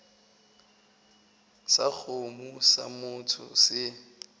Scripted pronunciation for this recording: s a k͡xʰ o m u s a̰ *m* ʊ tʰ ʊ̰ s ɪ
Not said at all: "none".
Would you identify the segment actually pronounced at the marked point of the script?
m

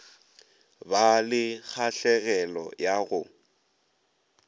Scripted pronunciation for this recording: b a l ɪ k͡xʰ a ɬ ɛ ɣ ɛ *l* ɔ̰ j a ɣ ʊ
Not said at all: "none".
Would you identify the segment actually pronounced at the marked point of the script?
l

